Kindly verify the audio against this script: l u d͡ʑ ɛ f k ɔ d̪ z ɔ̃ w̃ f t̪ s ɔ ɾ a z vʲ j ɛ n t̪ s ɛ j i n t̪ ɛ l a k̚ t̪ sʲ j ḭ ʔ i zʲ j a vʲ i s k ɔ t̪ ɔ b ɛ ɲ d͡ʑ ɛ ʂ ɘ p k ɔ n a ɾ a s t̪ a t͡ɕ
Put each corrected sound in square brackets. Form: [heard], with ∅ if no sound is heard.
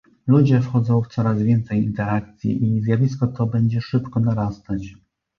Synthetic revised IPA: l u d͡ʑ ɛ f [x] ɔ d̪ z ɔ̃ w̃ f t̪ s ɔ ɾ a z vʲ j ɛ n t̪ s ɛ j i n t̪ ɛ [ɾ] a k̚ t̪ sʲ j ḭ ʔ i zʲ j a vʲ i s k ɔ t̪ ɔ b ɛ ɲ d͡ʑ ɛ ʂ ɘ p k ɔ n a ɾ a s t̪ a t͡ɕ